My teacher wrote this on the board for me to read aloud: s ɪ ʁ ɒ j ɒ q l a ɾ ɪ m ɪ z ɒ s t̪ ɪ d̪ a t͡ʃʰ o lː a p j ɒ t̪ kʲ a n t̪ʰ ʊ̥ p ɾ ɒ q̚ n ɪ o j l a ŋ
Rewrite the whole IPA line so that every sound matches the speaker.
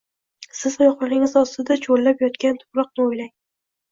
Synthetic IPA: s ɪ z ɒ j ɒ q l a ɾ ɪ ŋ ɪ z ɒ s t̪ ɪ d̪ a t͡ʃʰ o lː a p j ɒ t̪ kʲ a n t̪ʰ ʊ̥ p ɾ ɒ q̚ n ɪ o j l a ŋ